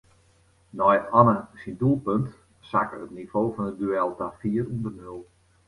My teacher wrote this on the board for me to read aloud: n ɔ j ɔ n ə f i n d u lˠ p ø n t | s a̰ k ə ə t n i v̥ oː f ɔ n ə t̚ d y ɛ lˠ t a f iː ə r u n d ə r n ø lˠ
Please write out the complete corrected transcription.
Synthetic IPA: n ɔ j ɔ n ə s i n d u lˠ p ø n t | s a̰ k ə ə t n i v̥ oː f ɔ n ə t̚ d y ɛ lˠ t a f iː ə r u n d ə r n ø lˠ